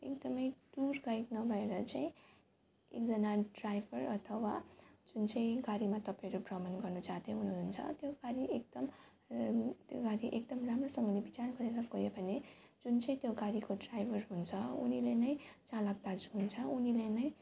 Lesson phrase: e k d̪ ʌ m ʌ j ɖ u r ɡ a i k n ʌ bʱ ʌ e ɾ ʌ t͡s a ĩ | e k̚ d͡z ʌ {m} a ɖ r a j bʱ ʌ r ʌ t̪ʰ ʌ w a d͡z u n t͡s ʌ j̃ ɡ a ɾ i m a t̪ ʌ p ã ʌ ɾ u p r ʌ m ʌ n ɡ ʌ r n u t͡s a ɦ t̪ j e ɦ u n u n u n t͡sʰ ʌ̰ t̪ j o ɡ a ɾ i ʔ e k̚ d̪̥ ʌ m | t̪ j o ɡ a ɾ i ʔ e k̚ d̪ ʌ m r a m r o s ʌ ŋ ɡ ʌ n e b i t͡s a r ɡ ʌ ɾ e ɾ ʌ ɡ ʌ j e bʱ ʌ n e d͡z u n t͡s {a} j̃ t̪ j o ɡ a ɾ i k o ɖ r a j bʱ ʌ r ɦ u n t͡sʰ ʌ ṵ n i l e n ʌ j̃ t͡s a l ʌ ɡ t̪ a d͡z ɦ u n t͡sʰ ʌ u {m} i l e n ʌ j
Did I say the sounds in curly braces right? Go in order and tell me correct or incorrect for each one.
incorrect, incorrect, incorrect

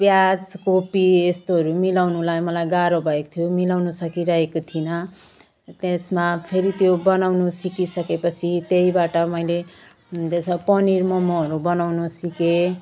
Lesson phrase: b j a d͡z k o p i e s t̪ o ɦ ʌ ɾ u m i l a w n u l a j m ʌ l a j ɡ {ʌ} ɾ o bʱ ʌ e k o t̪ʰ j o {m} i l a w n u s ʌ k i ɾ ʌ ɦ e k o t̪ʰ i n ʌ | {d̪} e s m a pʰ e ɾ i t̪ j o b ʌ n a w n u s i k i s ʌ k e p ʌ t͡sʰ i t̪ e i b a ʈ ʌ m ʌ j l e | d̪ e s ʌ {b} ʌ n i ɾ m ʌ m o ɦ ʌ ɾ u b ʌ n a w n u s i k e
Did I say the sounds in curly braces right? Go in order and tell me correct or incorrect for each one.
incorrect, correct, incorrect, incorrect

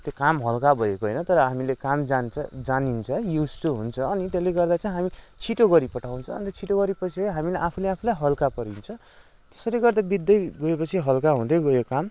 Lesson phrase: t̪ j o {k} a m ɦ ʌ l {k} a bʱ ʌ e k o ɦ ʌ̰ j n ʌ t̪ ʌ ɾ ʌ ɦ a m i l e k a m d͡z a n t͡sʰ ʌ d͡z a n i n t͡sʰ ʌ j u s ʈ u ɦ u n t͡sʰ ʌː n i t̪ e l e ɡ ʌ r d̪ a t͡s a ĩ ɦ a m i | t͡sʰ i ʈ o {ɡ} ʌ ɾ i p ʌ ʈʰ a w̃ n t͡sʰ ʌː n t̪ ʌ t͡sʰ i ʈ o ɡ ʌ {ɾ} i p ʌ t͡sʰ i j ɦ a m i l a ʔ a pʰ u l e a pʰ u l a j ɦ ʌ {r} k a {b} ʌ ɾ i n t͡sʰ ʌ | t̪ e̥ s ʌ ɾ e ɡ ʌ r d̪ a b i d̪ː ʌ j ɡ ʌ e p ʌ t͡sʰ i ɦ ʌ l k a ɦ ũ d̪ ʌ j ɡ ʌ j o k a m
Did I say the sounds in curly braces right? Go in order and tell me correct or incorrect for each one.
correct, correct, correct, correct, incorrect, incorrect

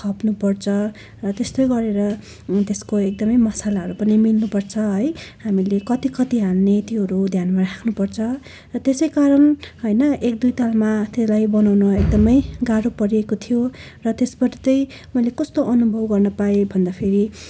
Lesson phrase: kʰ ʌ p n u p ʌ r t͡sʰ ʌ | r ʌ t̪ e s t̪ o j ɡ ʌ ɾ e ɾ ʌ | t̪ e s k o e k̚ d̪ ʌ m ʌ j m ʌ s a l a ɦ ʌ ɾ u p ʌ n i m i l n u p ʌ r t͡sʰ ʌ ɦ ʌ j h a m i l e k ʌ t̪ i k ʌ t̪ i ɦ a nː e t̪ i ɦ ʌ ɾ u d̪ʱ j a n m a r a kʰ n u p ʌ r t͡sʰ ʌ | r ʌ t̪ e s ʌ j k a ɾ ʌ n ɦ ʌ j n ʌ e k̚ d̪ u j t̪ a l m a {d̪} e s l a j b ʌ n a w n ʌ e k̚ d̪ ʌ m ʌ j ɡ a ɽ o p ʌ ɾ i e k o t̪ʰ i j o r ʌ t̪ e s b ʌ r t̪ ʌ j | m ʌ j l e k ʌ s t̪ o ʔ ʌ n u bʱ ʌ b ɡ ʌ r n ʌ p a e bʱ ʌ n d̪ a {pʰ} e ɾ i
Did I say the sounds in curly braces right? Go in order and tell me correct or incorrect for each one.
incorrect, correct

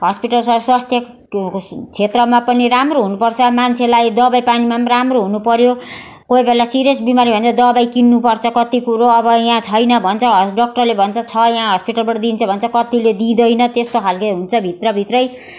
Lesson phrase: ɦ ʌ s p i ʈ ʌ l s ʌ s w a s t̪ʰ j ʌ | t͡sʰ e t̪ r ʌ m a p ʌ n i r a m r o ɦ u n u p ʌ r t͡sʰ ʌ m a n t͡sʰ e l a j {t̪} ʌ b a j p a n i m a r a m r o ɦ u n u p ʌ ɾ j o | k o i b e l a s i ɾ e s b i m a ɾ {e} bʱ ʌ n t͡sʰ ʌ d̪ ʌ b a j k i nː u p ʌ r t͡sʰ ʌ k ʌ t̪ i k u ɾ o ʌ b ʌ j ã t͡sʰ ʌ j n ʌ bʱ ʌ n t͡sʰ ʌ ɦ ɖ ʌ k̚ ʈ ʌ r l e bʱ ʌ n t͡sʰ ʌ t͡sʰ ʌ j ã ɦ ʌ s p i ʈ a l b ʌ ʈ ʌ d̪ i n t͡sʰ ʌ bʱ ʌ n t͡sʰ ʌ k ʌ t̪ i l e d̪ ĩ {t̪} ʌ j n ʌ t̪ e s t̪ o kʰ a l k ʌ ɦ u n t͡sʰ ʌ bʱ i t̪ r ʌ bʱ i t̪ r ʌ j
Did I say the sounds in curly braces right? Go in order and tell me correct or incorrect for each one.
incorrect, incorrect, incorrect

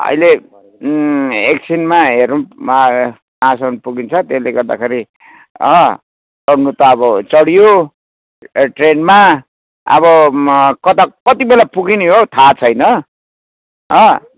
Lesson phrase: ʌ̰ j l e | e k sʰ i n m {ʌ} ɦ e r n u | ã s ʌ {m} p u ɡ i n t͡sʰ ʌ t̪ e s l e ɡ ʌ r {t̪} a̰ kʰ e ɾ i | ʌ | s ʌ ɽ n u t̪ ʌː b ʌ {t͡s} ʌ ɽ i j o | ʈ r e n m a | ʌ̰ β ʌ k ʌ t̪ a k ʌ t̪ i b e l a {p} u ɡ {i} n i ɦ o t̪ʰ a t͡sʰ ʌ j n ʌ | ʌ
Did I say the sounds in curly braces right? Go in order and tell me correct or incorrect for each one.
incorrect, incorrect, incorrect, correct, correct, correct

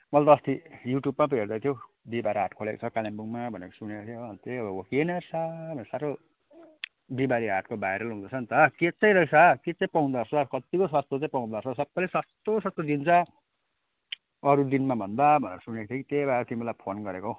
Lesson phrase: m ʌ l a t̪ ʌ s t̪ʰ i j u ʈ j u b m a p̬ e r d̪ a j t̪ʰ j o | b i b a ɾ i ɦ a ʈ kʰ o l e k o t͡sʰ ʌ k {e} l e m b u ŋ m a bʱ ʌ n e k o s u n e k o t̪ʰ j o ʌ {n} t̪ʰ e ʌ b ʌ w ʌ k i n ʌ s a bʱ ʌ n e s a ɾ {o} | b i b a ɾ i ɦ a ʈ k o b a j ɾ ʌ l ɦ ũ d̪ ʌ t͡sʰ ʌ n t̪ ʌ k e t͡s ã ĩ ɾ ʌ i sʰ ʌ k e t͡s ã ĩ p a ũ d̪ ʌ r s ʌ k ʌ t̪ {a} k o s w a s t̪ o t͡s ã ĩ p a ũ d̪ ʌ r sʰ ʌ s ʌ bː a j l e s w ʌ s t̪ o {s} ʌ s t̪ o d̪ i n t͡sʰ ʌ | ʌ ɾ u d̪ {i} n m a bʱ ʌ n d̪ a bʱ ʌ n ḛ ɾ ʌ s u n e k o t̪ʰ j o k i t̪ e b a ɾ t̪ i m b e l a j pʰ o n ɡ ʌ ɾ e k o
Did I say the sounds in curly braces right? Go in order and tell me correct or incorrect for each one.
incorrect, correct, correct, incorrect, correct, correct

